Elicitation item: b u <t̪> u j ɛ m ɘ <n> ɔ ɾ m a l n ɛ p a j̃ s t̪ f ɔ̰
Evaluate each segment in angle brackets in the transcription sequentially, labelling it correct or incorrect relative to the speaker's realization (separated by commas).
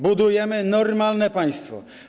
incorrect, correct